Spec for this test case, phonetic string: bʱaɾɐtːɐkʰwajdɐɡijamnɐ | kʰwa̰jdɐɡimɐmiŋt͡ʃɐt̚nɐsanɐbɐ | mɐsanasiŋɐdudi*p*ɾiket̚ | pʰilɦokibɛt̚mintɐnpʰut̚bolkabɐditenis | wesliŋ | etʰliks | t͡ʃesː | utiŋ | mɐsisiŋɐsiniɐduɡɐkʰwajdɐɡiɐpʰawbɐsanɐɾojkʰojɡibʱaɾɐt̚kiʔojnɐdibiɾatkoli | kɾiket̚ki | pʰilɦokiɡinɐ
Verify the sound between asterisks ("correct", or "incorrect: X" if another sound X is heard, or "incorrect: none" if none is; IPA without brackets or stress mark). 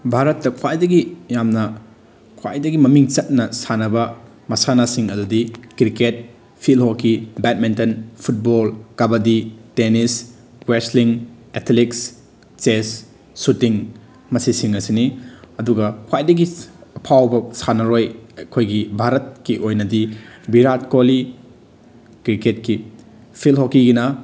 incorrect: k